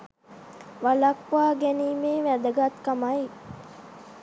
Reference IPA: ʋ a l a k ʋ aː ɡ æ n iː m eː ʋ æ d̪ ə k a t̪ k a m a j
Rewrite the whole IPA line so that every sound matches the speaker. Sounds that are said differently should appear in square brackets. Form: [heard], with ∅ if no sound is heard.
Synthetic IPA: ʋ a l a k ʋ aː ɡ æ n iː m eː ʋ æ d̪ ə [ɡ] a t̪ k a m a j